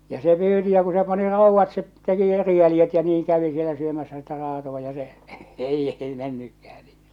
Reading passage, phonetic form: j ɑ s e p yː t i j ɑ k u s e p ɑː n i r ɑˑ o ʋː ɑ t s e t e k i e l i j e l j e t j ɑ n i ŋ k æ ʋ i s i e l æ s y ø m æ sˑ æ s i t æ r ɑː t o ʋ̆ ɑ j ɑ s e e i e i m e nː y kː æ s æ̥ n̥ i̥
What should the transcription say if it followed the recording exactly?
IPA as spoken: j ɑ s e p yː t i j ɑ k u s e p ɑ n i r ɑˑ u ʋː ɑ t s e t e k i e r i j æ l j e t j ɑ n iː ŋ k æ ʋ i s i e l æ s y ø m æ sˑ æ s i t æ r ɑː t o ʋ̆ ɑ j ɑ s e e i e i m e nː y kː æ h æ̥ n̥ i̥

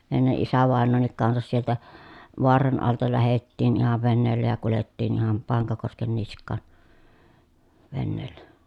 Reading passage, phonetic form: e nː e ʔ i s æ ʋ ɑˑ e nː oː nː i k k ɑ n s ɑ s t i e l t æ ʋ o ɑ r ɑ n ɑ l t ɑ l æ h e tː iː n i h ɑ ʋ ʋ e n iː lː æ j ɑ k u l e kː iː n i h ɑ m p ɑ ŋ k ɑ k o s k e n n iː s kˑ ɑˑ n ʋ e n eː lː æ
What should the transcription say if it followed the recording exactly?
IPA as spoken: e nː e ʔ i s æ ʋ ɑˑ e nː oː nː i k k ɑ n s ɑ s s i e l t æ ʋ o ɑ r ɑ n ɑ l t ɑ l æ h e tː iː n i h ɑ ʋ ʋ e n eː lː æ j ɑ k u l e tː iː n i h ɑ m p ɑ ŋ k ɑ k o s k e n n i s kˑ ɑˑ n ʋ e nː eː lː æ

